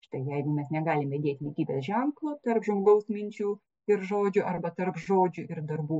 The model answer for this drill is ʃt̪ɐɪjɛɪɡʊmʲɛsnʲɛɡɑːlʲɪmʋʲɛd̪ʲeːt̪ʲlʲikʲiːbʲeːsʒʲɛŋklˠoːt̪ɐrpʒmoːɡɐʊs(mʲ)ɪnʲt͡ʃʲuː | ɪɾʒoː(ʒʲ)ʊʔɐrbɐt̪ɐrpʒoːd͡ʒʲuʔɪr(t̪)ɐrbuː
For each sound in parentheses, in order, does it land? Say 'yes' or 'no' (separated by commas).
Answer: yes, no, no